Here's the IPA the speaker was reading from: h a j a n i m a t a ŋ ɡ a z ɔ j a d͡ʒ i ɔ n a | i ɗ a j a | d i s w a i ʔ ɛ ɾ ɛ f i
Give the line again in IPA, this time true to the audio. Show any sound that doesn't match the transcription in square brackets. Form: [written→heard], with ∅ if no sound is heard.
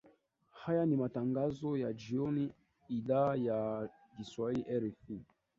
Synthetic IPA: h a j a n i m a t a ŋ ɡ a z ɔ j a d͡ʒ i ɔ n [a→i] | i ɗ a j a | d i s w a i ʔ ɛ ɾ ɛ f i